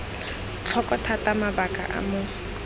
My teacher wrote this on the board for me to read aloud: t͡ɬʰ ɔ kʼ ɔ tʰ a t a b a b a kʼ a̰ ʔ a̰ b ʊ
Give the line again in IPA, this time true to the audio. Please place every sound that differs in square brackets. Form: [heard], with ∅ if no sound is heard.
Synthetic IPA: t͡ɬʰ ɔ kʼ ɔ tʰ a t a [m] a b a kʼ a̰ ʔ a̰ [m] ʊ